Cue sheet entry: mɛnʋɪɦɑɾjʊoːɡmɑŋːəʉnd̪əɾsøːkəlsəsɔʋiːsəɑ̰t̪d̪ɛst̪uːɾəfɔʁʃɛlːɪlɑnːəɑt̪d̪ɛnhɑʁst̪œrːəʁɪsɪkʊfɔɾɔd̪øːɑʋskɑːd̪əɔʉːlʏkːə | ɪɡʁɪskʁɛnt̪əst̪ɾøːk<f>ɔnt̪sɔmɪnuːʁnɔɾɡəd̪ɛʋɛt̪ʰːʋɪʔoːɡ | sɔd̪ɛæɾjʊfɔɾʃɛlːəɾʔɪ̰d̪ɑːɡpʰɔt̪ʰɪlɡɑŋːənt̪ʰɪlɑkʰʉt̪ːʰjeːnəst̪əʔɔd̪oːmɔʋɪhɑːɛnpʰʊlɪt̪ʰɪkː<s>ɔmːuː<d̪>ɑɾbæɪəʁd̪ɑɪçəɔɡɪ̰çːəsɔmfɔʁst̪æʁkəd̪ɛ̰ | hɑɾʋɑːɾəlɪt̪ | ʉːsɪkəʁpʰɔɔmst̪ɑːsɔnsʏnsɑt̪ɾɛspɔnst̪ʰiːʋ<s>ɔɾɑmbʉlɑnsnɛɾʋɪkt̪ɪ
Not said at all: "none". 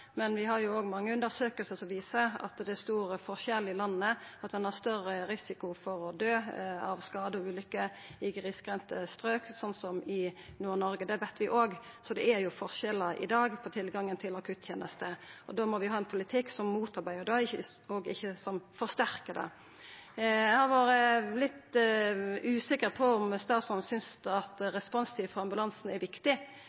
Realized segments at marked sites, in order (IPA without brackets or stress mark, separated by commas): s, s, t̪, f